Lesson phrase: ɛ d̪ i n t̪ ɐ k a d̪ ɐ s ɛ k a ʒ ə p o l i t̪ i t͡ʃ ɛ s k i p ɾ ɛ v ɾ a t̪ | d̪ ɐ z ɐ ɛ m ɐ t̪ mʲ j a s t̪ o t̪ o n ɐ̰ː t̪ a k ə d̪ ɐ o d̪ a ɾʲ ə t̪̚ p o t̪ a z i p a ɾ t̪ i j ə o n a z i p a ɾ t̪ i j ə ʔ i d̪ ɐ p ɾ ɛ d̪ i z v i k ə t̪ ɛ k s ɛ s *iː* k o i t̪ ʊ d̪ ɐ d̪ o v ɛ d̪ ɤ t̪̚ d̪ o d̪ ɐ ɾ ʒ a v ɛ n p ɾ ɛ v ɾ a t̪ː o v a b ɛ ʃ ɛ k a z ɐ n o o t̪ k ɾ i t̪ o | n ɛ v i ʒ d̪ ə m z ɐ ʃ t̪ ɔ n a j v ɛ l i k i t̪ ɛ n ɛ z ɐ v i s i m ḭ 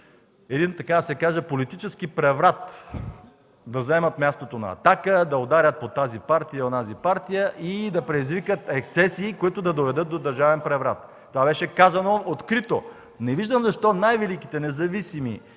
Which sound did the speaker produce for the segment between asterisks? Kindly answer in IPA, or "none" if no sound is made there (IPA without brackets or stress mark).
iː